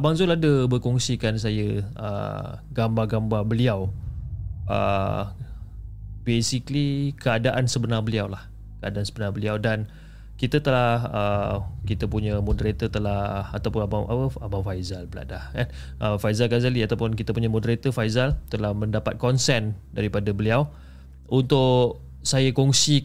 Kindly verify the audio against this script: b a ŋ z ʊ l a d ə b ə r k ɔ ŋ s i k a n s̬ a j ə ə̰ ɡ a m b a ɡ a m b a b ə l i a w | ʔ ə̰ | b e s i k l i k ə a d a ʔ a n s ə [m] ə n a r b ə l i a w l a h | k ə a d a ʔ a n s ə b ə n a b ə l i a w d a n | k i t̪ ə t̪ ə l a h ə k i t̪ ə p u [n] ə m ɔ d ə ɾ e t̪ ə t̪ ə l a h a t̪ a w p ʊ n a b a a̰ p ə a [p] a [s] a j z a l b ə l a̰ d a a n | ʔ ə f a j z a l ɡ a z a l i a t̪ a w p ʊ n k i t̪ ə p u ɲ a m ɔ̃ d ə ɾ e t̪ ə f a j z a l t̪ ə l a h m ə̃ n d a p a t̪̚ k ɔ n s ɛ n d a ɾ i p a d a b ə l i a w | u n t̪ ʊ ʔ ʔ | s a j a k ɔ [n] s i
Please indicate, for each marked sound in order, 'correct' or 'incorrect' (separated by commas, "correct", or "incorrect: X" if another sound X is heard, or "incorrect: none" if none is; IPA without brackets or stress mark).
incorrect: b, incorrect: ɲ, incorrect: b, incorrect: f, incorrect: ŋ